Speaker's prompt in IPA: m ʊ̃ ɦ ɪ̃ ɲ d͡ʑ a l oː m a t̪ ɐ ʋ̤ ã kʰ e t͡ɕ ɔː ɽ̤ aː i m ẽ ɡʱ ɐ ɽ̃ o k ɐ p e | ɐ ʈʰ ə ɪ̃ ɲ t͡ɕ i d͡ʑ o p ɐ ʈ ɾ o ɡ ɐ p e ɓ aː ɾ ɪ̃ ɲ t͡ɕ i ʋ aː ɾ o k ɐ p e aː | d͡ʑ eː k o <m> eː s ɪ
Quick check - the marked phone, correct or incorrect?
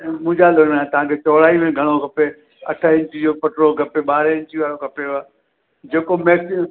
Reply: correct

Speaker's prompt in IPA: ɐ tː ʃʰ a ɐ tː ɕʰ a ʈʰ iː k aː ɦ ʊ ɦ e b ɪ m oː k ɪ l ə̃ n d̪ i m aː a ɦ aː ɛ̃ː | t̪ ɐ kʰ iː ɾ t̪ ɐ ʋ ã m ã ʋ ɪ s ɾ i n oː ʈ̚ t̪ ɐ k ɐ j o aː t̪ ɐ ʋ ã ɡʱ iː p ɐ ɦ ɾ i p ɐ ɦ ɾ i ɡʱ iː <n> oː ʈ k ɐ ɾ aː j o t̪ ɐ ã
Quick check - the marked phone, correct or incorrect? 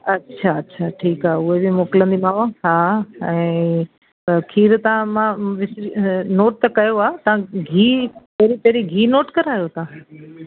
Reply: correct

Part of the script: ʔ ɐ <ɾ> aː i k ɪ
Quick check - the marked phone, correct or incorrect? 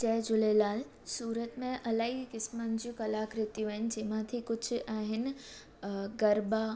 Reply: incorrect: l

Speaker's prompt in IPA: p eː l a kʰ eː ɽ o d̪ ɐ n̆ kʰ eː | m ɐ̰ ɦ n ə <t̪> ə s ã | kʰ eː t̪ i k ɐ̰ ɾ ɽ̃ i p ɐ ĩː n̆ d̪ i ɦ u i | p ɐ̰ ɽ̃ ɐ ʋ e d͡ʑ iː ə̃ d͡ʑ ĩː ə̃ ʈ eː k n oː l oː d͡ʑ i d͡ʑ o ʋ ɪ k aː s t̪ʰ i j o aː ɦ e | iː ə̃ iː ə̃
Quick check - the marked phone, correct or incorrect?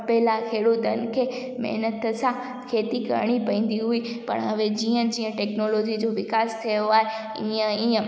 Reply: correct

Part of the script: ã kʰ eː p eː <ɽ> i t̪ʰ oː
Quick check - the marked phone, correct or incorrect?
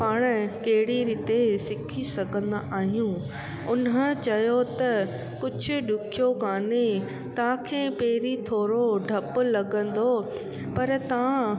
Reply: incorrect: ɾ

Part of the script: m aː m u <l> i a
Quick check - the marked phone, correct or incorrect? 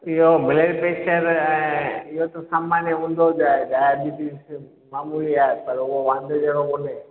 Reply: correct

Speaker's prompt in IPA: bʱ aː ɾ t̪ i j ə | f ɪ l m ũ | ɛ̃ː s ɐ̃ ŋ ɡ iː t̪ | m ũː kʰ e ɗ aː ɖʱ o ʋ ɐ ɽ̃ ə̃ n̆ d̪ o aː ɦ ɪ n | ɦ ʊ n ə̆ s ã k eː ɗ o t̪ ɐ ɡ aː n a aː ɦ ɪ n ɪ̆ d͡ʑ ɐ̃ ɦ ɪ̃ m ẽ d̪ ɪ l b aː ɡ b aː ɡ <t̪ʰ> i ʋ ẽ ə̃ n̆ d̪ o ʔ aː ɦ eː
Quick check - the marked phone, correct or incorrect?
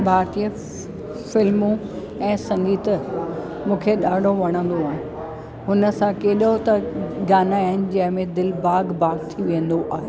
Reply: correct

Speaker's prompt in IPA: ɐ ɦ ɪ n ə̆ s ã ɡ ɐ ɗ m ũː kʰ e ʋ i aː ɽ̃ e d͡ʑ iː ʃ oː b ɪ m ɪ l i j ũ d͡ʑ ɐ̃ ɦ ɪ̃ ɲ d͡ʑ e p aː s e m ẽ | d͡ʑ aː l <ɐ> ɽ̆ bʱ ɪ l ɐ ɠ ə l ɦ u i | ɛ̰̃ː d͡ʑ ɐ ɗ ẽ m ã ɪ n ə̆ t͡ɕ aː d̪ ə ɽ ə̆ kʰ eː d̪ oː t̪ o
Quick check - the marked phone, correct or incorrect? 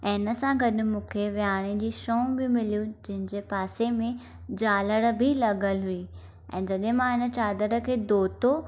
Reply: incorrect: ə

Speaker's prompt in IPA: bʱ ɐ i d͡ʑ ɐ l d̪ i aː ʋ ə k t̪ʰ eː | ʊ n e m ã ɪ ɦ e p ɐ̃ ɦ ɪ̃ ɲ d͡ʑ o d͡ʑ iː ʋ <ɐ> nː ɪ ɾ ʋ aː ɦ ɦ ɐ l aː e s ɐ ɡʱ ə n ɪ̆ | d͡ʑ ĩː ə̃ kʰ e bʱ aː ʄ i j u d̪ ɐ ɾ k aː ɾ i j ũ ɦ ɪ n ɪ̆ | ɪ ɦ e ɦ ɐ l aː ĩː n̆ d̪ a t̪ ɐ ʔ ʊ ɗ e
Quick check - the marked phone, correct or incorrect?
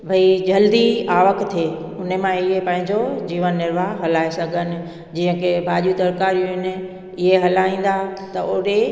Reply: incorrect: ə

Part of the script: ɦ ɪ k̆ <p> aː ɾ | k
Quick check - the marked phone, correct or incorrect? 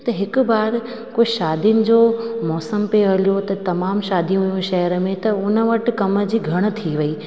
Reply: incorrect: b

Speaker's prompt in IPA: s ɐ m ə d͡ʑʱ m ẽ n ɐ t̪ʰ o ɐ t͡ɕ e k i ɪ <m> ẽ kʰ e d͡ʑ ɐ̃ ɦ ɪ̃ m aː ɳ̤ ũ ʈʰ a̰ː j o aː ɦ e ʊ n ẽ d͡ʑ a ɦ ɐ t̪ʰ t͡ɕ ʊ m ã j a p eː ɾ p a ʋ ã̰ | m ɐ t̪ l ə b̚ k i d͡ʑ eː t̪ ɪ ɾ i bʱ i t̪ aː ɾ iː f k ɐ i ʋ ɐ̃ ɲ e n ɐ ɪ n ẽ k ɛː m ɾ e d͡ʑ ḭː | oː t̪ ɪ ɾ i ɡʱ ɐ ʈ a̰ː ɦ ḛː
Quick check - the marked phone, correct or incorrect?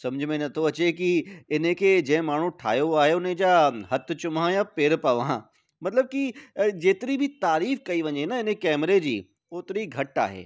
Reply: incorrect: n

